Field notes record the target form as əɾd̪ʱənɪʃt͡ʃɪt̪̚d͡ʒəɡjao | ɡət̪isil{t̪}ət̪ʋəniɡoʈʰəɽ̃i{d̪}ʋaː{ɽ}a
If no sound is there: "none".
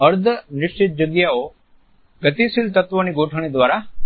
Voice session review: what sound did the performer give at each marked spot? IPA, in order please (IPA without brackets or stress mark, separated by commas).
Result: t̪, d̪, ɾ